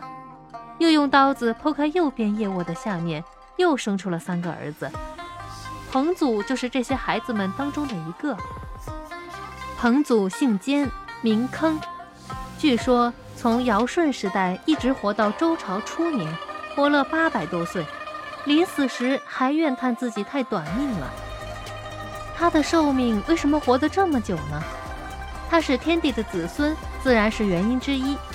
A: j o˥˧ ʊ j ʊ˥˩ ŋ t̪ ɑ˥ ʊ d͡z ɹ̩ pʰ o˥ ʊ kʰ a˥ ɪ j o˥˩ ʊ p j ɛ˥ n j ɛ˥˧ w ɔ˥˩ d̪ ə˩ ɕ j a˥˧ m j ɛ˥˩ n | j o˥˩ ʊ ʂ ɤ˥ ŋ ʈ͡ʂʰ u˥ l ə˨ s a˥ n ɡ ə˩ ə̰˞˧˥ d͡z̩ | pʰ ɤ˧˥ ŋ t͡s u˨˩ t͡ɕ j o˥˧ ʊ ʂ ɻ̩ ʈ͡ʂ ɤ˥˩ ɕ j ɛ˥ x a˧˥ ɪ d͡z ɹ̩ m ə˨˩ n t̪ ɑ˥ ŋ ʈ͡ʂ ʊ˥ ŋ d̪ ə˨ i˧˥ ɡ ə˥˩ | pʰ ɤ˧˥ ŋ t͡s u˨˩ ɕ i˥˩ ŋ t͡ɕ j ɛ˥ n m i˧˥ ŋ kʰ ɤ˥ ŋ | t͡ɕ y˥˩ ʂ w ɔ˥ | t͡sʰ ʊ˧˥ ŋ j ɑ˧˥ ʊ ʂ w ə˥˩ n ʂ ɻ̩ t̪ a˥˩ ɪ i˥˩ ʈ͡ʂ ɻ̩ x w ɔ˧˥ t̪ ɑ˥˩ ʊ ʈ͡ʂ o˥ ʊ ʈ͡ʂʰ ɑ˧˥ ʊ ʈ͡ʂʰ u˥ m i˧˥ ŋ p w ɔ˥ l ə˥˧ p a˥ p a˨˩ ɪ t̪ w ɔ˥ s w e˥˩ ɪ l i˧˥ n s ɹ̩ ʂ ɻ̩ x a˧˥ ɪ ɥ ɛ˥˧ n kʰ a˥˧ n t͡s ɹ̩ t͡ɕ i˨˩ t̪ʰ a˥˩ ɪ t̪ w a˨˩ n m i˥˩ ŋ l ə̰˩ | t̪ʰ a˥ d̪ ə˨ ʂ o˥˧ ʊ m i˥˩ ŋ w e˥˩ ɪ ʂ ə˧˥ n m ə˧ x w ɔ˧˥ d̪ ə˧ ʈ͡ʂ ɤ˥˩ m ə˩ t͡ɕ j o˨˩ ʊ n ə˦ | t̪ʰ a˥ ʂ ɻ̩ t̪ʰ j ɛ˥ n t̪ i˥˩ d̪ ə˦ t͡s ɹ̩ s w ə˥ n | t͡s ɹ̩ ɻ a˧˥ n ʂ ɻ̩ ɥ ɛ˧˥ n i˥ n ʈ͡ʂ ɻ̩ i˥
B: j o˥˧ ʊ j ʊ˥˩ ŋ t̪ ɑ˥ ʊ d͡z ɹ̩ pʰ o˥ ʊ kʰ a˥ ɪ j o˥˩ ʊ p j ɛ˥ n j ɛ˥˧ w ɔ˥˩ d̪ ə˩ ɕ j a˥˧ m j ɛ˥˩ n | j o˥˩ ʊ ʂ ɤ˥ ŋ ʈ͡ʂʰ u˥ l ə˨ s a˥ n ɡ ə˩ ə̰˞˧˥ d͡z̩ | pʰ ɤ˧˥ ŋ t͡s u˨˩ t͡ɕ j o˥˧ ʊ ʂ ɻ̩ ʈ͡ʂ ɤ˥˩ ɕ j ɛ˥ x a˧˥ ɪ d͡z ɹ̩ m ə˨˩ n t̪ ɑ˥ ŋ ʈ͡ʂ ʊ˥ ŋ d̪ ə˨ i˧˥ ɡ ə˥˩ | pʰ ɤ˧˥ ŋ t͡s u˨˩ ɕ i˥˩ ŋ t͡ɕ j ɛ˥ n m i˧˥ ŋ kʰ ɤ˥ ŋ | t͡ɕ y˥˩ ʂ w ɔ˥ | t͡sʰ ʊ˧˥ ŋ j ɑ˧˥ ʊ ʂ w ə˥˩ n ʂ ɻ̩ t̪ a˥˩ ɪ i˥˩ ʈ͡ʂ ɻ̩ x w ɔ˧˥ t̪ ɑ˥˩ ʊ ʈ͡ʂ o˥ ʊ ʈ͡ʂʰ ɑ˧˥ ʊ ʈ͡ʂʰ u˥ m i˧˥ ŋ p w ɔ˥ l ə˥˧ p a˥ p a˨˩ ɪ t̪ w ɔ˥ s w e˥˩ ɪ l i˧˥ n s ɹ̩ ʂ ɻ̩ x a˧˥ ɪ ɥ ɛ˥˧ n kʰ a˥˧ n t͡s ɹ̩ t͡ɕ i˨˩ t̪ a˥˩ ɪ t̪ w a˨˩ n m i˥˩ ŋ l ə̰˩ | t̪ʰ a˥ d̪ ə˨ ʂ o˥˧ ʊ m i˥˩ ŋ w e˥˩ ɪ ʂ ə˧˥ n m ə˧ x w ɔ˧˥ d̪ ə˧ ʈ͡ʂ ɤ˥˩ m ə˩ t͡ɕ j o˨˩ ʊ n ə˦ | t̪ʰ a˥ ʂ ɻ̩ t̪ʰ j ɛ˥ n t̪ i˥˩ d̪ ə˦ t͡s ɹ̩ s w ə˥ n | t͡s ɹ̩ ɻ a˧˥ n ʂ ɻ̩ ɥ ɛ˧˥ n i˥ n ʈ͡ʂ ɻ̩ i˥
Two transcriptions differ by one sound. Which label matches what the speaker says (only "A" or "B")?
A